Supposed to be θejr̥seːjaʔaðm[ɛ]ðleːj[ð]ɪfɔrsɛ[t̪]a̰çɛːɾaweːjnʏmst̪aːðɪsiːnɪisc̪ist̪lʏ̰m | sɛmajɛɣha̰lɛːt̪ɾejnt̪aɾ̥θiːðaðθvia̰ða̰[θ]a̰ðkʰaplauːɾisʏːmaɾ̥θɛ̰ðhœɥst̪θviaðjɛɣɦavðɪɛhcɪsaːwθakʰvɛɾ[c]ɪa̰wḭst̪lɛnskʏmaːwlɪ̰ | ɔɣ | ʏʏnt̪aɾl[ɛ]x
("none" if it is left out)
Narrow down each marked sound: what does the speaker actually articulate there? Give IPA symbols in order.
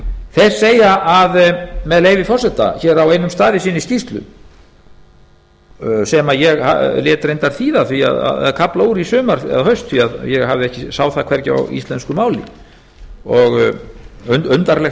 ɛ, v, t̪, ð, c, ɛ

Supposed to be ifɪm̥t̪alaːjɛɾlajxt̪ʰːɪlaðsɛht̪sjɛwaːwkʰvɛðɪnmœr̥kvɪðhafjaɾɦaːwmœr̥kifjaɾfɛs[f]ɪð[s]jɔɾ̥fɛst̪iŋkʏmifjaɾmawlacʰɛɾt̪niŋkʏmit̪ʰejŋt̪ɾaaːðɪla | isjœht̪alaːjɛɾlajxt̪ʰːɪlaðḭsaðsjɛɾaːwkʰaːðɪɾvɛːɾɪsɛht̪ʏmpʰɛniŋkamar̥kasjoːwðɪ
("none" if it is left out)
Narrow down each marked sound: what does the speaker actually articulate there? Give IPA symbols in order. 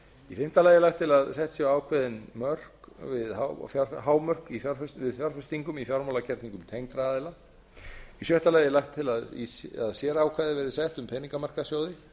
v, f

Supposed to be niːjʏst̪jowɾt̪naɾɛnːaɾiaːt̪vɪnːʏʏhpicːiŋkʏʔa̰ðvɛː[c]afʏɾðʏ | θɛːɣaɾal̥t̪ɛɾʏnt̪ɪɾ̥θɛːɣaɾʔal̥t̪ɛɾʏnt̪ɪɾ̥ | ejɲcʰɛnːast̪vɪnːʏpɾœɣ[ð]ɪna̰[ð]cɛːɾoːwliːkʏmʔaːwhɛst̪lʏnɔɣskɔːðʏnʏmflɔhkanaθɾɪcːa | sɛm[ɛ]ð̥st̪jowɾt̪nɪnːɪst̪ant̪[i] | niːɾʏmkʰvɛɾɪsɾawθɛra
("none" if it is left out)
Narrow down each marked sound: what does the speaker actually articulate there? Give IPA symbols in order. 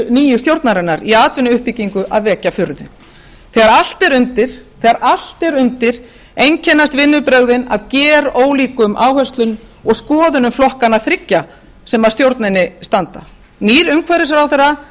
c, ð, ð, a, a

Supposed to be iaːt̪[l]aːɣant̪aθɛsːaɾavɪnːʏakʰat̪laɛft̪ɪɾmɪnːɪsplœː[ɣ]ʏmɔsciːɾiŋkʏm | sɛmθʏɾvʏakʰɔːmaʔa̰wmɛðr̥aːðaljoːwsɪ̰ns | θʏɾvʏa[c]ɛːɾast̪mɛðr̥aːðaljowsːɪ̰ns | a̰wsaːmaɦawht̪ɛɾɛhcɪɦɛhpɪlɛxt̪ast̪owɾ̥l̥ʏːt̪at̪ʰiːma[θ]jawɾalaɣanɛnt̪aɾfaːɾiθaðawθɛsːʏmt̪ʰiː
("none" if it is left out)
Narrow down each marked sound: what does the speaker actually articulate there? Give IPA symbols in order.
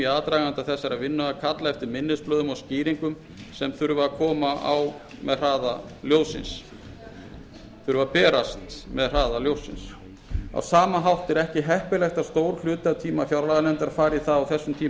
ɾ, ð, p, f

